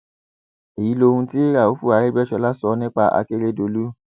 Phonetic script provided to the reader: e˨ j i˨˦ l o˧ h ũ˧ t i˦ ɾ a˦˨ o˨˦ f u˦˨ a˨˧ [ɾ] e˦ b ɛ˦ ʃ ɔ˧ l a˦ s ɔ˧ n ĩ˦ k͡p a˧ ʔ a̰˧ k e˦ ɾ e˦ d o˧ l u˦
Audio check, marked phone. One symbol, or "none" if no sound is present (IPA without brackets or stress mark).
ɾ